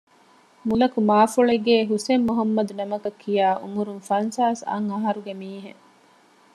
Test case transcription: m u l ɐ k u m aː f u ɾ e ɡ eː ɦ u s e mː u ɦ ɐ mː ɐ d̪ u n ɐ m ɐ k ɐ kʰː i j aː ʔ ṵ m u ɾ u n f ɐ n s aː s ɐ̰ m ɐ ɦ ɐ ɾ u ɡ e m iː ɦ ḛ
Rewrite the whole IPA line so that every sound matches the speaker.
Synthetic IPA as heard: m u l ɐ k u m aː f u ɭ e ɡ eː ɦ u s e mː u ɦ ɐ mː ɐ d̪ u n ɐ m ɐ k ɐ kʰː i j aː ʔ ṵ m u ɾ u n f ɐ n s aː s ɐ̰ ŋ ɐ ɦ ɐ ɾ u ɡ e m iː ɦ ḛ